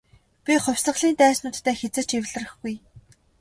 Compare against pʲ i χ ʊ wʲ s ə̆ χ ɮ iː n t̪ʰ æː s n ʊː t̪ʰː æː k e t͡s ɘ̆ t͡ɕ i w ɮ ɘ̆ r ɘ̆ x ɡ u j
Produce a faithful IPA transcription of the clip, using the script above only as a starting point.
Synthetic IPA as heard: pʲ i χ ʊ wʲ s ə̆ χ ɮ iː n t̪ æː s n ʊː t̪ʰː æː x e t͡s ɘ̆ t͡ɕ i w ɮ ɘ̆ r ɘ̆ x ɡ u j